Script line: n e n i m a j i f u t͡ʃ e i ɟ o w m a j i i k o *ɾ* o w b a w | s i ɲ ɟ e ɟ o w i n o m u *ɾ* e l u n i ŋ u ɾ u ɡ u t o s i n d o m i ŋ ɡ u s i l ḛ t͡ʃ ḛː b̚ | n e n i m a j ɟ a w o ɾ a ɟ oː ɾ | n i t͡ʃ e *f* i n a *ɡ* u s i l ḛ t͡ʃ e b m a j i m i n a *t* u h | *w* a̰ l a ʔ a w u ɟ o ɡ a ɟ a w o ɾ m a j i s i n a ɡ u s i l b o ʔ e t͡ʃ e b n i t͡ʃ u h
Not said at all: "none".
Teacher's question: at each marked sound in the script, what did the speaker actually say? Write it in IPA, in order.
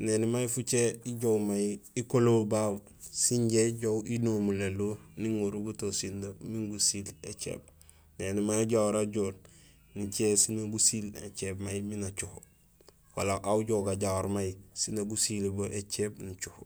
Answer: l, l, s, ɡ, t͡ʃ, w

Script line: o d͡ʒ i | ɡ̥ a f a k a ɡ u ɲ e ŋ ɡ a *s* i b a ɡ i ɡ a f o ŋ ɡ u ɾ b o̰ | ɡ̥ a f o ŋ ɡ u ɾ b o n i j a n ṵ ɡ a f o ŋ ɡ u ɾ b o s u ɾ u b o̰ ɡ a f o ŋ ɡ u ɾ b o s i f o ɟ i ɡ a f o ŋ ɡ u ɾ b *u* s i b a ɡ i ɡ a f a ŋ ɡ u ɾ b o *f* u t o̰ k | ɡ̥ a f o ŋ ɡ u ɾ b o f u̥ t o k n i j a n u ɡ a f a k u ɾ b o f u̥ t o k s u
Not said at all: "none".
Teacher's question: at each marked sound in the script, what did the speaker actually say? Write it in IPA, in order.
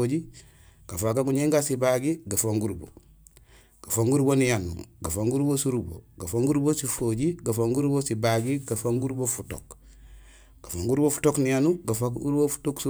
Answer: s, o, f

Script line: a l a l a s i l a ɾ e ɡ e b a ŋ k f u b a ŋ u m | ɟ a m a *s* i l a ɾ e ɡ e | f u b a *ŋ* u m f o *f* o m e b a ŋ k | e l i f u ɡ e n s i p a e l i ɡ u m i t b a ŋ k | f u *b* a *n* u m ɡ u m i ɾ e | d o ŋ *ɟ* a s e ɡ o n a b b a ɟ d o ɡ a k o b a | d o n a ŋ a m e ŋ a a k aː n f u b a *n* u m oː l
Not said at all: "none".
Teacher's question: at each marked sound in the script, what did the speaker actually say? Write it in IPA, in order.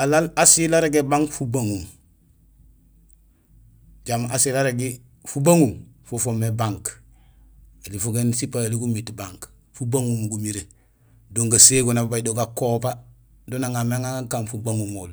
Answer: s, ŋ, f, b, ŋ, ɡ, ŋ

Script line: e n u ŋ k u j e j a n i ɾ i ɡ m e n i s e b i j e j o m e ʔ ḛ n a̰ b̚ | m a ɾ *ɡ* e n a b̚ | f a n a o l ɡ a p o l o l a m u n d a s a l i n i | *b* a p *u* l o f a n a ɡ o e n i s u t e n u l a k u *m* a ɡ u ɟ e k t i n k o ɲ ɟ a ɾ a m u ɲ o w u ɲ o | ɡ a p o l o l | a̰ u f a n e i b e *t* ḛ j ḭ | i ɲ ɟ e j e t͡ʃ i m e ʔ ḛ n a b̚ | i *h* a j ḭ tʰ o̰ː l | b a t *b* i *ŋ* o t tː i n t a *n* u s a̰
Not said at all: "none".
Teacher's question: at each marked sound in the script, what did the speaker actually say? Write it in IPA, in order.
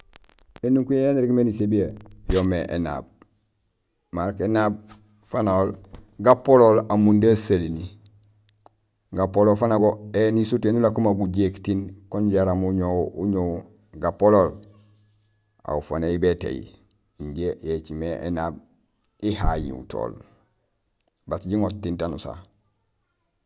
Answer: k, ɡ, o, m, t, h, ɟ, ŋ, n

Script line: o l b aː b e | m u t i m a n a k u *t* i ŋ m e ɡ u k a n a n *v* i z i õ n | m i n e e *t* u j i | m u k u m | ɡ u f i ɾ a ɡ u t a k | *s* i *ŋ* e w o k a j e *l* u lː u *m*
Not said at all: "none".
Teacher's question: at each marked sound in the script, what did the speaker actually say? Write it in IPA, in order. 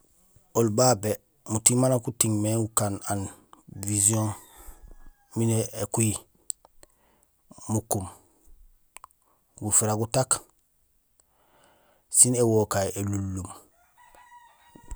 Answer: t, v, k, s, n, l, m

